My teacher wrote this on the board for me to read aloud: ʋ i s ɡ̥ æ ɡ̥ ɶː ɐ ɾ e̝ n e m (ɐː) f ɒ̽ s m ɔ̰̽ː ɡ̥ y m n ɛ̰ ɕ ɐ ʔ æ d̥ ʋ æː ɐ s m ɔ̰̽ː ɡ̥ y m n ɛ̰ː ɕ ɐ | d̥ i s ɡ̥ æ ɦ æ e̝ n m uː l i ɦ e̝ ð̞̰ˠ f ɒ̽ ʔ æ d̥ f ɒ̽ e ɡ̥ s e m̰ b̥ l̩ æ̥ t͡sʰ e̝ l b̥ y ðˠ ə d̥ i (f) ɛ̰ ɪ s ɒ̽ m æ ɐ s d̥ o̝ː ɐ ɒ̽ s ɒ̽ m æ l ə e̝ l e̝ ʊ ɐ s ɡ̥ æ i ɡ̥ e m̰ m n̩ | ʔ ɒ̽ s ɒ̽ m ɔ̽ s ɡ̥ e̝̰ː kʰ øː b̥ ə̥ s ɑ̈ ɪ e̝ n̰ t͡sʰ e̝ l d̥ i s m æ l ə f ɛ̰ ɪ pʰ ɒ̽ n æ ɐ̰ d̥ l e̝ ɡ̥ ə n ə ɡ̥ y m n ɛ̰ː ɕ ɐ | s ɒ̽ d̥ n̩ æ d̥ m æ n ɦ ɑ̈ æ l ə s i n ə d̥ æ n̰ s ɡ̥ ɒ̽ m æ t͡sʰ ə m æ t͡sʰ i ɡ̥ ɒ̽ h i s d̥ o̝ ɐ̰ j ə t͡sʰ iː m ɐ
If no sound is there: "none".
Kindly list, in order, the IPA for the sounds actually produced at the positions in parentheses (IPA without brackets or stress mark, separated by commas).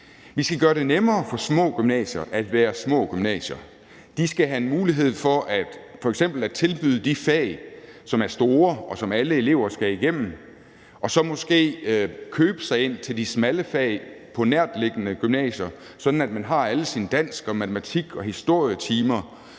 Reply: ɐː, f